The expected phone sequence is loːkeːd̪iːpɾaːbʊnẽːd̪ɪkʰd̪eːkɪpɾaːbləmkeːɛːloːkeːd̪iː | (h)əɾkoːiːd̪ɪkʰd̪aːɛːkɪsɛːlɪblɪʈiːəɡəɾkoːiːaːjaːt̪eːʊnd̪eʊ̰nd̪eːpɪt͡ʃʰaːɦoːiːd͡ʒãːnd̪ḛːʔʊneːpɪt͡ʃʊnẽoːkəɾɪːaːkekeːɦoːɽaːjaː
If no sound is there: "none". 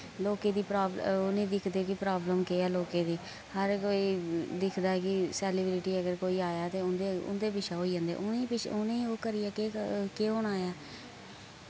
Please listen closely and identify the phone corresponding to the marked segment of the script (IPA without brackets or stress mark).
h